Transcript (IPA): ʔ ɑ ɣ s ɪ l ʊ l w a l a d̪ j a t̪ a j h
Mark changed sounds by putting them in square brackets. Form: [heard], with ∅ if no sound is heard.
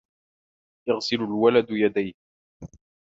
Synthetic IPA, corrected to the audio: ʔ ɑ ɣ s ɪ l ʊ l w a l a d̪ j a [d̪] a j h

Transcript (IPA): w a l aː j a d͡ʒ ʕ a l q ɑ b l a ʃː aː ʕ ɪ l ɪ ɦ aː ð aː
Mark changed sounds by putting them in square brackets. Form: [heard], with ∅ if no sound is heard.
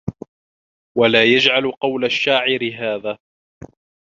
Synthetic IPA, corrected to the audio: w a l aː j a d͡ʒ ʕ a l q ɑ [w] l a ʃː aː ʕ ɪ [ɾ] ɪ ɦ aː ð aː

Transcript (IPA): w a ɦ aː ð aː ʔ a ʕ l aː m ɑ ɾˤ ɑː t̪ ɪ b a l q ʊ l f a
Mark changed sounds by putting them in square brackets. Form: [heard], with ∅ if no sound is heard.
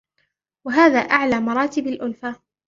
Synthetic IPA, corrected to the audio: w a ɦ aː ð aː ʔ a ʕ l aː m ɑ ɾˤ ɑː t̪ ɪ b a l [ʔ] ʊ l f a

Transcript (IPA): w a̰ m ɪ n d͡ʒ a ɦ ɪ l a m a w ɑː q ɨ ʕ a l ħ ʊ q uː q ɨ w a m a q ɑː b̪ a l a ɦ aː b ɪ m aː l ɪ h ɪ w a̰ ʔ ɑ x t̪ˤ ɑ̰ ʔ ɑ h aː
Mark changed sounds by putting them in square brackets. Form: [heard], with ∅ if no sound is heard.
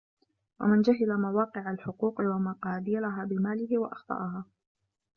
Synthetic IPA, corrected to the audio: w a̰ m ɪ n d͡ʒ a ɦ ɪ l a m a w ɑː q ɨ ʕ a l ħ ʊ q uː q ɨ w a m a q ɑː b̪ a l a ɦ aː b ɪ m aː l ɪ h ɪ w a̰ ʔ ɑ x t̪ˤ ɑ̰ ʔ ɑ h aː

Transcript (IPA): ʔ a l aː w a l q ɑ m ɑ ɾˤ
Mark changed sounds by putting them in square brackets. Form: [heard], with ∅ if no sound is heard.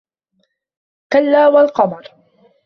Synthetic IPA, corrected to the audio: [k] a [lː] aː w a l q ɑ m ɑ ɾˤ

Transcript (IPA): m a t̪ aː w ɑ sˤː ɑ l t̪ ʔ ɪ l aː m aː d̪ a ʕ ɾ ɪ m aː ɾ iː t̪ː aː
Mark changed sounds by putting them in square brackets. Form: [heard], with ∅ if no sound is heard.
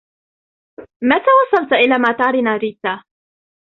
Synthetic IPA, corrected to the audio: m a t̪ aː w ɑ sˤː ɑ l t̪ ʔ ɪ l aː m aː [t̪] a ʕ ɾ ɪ [n] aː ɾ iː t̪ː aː

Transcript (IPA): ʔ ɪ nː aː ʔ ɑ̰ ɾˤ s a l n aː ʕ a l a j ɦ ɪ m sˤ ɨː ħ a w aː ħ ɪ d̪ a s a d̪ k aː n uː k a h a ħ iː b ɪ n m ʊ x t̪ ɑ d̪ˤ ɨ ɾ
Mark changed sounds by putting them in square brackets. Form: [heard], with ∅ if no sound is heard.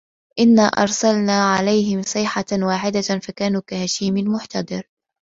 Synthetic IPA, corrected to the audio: ʔ ɪ nː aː ʔ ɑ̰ ɾˤ s a l n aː ʕ a l a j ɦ ɪ m sˤ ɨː ħ a w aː ħ ɪ d̪ a [f] a [∅] k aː n uː k a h a [ʃ] iː [m] ɪ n m ʊ [ħ] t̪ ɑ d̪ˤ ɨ ɾ

